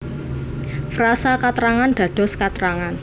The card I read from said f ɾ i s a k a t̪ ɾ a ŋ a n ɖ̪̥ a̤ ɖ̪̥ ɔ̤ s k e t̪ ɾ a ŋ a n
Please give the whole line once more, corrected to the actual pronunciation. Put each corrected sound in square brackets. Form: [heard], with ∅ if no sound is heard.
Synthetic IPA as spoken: f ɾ [a] s a k a t̪ ɾ a ŋ a n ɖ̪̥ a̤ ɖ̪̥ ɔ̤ s k [a] t̪ ɾ a ŋ a n